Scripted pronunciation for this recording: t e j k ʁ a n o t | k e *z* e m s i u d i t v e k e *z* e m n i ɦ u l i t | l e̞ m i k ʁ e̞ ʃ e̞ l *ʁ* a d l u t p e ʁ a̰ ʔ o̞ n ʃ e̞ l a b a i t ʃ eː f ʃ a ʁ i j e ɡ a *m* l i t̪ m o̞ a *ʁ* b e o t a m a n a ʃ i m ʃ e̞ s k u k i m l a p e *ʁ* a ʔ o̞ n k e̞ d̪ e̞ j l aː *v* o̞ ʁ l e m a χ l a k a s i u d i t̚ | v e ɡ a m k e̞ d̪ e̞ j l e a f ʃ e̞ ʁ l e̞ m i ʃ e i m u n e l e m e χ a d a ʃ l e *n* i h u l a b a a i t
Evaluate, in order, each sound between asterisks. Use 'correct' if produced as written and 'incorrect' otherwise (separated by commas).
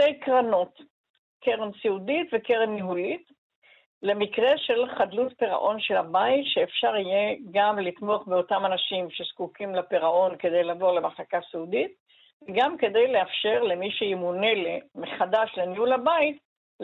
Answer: incorrect, incorrect, incorrect, correct, incorrect, correct, correct, correct